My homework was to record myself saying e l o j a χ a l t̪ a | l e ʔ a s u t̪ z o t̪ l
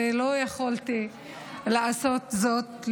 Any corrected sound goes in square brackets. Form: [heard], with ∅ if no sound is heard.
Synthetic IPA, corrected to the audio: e l o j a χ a l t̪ [i] | l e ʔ a s [o] t̪ z o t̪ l